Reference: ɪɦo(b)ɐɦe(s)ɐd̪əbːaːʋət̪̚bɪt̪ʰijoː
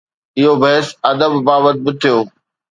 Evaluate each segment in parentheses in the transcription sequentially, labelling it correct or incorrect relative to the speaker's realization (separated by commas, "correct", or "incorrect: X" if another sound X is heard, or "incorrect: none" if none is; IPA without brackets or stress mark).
correct, correct